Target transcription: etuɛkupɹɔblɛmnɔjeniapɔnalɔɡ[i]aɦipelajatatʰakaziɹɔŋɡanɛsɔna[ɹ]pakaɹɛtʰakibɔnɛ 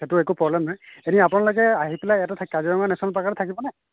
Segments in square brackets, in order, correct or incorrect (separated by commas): incorrect, incorrect